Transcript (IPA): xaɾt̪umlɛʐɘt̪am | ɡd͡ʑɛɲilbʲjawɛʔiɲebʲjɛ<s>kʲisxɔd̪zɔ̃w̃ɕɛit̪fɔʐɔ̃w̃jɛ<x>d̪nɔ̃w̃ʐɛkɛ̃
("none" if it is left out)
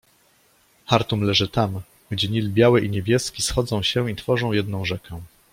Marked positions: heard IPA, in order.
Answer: s, none

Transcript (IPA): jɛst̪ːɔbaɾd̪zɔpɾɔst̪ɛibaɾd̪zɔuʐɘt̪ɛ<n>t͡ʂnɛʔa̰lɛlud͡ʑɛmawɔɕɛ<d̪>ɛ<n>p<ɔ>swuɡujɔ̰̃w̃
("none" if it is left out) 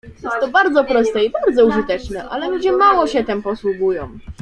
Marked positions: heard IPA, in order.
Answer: none, t̪, m, ɔ

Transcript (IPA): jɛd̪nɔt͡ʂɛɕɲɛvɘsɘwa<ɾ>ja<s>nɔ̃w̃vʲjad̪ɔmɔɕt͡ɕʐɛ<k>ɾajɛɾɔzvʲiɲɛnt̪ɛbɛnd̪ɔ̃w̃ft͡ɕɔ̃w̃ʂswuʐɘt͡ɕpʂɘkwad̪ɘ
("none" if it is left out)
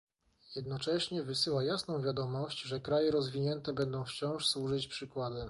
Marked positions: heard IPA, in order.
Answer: none, s, k

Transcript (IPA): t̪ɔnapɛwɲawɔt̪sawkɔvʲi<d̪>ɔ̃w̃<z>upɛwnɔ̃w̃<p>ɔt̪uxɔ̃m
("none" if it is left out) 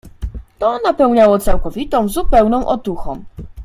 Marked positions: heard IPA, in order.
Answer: t̪, z, ʔ

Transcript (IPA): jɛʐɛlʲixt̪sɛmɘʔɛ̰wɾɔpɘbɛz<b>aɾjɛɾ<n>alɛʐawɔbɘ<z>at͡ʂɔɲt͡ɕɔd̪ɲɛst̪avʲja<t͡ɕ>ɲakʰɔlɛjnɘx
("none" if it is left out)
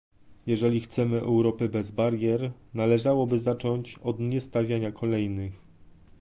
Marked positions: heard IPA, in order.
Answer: b, n, z, none

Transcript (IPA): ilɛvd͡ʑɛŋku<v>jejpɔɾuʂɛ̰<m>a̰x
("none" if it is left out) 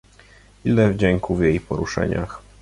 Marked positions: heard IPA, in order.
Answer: v, ɲ

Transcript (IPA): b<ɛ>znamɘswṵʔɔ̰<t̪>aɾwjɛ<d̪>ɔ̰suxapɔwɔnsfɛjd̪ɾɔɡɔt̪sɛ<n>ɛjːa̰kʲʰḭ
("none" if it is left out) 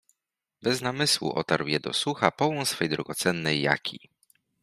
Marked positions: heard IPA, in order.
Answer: ɛ, t̪, d̪, nː

